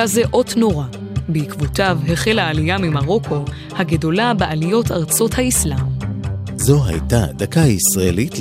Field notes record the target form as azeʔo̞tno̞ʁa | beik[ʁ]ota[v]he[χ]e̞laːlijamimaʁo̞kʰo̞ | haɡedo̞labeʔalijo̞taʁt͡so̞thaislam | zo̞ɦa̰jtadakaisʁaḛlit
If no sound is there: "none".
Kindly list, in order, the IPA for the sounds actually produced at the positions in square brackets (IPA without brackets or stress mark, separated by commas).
v, v, χ